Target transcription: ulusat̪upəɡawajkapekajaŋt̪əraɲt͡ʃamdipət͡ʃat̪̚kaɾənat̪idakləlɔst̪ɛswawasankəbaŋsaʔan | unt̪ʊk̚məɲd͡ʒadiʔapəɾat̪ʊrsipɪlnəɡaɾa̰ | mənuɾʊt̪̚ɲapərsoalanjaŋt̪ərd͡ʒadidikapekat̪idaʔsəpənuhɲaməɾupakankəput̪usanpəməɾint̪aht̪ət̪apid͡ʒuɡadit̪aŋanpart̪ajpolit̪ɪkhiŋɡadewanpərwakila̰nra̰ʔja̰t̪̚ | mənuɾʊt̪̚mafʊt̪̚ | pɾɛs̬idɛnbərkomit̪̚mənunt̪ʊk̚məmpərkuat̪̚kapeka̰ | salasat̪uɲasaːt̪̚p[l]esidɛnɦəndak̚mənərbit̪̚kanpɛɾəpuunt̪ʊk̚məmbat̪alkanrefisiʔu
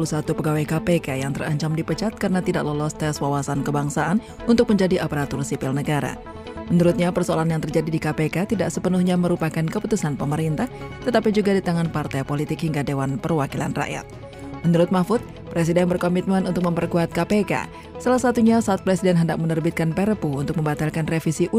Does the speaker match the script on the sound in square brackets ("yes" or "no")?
no